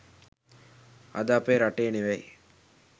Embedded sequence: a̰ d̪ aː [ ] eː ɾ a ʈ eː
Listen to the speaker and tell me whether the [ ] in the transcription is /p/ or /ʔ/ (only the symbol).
p